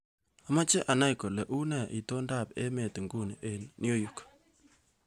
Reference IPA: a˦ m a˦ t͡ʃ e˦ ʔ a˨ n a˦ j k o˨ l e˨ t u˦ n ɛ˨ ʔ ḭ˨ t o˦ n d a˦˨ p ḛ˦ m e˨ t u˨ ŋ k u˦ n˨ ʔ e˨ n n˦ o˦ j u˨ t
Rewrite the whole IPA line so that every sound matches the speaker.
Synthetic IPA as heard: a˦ m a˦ t͡ʃ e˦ ʔ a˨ n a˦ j k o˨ l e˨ ʔ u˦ n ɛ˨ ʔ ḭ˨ t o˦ n d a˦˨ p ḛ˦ m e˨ t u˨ ŋ ɡ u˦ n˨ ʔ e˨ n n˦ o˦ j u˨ k